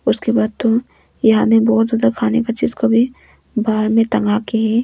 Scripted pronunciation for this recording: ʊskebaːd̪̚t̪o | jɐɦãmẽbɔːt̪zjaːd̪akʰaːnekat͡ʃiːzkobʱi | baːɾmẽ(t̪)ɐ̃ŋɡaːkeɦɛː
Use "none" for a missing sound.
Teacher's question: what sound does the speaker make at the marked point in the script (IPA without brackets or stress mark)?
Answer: t̪